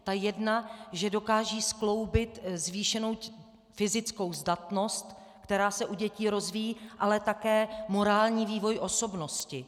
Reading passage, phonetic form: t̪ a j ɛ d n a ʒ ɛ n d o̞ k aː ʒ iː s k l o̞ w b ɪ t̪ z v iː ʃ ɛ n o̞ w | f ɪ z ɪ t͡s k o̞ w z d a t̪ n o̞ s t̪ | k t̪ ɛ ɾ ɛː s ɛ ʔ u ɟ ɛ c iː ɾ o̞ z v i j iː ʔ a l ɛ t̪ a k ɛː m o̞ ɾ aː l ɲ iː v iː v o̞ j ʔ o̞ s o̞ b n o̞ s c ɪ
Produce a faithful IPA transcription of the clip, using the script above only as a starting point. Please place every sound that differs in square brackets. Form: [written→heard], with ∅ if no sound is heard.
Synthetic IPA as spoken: t̪ a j ɛ d n a ʒ ɛ [n→∅] d o̞ k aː ʒ iː s k l o̞ w b ɪ t̪ z v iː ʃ ɛ n o̞ w | f ɪ z ɪ t͡s k o̞ w z d a t̪ n o̞ s t̪ | k t̪ ɛ ɾ [ɛː→aː] s ɛ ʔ u ɟ ɛ c iː ɾ o̞ z v i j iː ʔ a l ɛ t̪ a k ɛː m o̞ ɾ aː l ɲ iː v iː v o̞ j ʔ o̞ s o̞ b n o̞ s c ɪ